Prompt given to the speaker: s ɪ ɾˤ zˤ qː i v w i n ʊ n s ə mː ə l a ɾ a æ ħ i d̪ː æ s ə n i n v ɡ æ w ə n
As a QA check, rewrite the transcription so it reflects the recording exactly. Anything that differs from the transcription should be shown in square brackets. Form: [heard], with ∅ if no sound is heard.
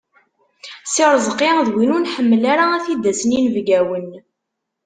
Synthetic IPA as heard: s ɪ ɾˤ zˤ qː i [ð] w i n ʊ n [ħ] ə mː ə l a ɾ a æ [θ] i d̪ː æ s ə n i n v ɡ æ w ə n